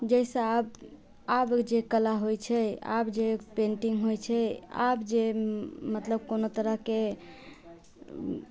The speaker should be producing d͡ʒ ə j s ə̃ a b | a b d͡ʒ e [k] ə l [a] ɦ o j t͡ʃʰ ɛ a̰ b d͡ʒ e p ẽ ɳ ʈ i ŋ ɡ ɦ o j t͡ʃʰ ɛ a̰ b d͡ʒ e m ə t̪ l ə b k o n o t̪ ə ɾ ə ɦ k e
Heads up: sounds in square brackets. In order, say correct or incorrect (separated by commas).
correct, correct